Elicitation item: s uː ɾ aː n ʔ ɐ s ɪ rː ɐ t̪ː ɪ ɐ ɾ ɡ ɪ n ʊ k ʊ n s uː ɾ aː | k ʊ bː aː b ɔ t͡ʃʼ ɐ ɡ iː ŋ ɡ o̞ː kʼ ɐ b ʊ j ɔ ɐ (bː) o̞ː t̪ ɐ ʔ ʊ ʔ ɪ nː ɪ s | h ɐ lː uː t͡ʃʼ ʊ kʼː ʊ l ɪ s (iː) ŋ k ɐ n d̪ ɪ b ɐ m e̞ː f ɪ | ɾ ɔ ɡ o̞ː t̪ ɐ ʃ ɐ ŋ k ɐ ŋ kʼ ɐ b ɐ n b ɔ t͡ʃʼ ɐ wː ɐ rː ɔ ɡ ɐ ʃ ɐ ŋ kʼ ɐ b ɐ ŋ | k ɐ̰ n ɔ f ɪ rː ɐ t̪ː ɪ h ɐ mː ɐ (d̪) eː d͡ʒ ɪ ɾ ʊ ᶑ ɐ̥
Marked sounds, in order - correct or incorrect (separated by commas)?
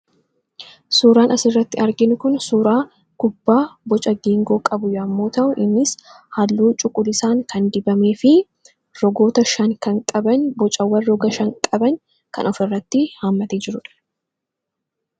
incorrect, incorrect, incorrect